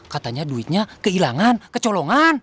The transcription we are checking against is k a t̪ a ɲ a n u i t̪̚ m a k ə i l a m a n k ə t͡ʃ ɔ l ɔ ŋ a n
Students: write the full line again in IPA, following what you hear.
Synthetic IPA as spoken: k a t̪ a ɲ a d u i t̪̚ ɲ a k ə i l a ŋ a n k ə t͡ʃ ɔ l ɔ ŋ a n